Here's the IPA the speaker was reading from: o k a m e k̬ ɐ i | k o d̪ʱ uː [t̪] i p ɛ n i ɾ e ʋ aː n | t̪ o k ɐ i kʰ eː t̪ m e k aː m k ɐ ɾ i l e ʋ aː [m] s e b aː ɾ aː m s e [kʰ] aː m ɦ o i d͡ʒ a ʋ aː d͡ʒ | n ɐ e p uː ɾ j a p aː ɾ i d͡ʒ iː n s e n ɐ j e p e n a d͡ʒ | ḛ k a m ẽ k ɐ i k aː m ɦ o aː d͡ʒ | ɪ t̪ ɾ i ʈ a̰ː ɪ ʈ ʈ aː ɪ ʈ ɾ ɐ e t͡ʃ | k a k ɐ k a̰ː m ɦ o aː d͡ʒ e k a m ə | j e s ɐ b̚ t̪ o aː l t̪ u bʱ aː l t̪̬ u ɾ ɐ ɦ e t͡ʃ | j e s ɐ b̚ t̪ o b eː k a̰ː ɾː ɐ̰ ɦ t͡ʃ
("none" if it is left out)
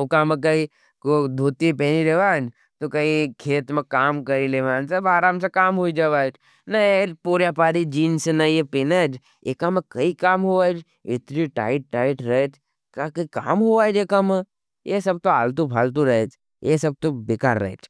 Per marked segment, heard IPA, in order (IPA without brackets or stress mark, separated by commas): t̪, n, k